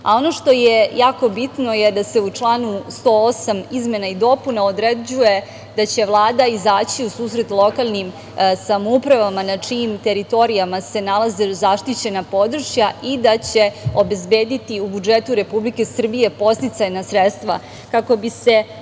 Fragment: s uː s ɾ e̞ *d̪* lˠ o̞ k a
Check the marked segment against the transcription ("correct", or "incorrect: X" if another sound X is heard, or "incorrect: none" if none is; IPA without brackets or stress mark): incorrect: t̪